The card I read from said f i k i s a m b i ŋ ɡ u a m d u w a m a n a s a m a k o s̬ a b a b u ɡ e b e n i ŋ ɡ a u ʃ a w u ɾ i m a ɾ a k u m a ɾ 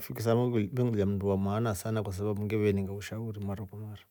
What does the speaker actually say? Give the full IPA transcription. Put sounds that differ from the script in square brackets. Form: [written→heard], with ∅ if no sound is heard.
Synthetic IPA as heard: f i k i s a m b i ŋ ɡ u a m d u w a m a n a s a [m→n] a k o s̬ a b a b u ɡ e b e n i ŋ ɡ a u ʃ a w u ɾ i m a ɾ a k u m a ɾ